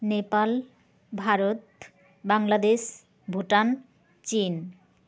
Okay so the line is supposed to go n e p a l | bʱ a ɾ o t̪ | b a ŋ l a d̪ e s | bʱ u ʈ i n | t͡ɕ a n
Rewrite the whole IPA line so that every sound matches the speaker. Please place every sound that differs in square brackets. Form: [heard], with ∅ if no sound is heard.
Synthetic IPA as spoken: n e p a l | bʱ a ɾ o t̪ | b a ŋ l a d̪ e [ʃ] | bʱ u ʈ [a] n | t͡ɕ [i] n